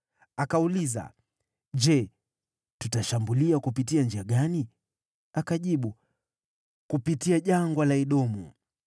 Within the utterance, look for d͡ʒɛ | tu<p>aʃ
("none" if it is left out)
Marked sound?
t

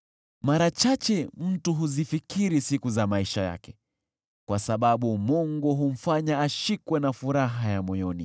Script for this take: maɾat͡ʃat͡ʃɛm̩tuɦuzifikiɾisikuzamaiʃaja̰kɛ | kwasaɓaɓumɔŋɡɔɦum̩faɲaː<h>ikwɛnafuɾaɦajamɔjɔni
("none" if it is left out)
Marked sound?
ʃ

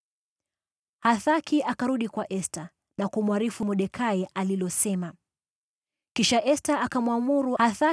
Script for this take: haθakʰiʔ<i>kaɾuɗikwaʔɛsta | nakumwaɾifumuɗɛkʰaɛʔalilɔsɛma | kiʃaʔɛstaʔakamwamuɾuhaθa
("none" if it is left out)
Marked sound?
a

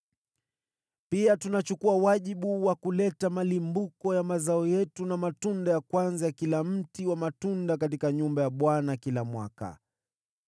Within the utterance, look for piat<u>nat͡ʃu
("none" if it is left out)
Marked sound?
u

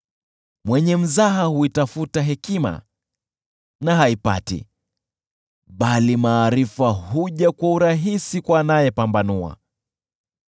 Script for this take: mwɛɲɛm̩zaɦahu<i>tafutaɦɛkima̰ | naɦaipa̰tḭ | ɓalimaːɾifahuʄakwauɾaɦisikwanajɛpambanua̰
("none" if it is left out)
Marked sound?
i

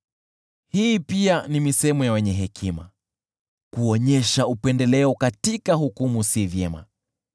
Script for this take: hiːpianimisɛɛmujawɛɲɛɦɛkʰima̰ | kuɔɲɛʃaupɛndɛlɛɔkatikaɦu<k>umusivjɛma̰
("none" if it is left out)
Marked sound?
k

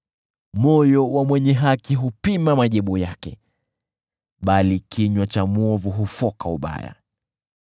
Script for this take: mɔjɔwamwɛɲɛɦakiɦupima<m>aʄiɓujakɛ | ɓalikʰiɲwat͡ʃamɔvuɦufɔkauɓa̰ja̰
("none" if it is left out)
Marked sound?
m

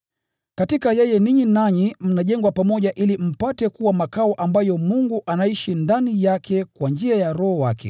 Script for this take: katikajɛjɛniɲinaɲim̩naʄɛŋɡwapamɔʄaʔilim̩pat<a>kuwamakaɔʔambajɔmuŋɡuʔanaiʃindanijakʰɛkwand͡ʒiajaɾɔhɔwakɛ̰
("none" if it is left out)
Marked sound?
ɛ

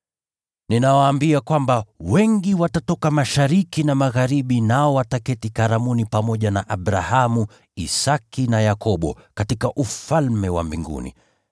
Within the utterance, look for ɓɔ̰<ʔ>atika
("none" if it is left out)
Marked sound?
k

